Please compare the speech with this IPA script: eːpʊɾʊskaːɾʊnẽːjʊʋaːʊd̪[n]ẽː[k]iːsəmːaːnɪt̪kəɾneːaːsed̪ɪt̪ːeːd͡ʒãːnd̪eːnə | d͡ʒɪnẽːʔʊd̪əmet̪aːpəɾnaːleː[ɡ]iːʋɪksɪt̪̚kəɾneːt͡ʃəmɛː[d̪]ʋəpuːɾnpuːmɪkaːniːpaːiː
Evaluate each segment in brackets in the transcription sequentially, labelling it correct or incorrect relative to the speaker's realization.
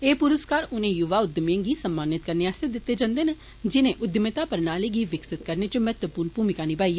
incorrect: m, incorrect: ɡ, correct, incorrect: t̪

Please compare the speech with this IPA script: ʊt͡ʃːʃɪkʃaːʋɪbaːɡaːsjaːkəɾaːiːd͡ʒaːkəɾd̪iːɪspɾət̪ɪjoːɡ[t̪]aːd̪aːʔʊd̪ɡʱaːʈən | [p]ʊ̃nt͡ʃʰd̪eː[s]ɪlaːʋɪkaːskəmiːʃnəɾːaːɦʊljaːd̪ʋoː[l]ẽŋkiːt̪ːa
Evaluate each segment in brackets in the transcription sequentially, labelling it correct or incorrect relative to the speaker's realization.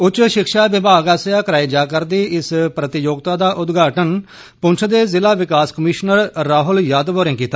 correct, correct, incorrect: z, incorrect: ɾ

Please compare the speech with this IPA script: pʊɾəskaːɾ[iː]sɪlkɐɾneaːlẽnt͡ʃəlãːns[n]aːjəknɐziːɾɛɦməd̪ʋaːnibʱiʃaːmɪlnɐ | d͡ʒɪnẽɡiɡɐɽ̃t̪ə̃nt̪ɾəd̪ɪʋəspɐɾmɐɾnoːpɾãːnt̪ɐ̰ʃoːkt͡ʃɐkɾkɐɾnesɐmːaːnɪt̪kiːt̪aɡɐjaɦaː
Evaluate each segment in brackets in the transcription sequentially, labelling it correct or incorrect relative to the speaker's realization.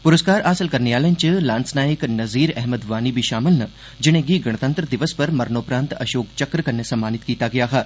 incorrect: aː, correct

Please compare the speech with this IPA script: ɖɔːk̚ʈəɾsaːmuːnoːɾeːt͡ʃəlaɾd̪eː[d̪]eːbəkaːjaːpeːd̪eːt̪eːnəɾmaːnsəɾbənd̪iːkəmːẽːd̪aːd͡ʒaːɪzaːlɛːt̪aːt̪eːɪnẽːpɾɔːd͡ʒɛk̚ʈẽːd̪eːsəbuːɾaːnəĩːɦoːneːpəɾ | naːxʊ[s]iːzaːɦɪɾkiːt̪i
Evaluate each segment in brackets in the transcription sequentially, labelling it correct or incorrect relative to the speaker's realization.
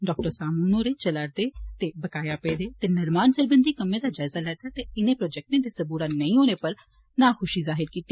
incorrect: t̪, incorrect: ʃ

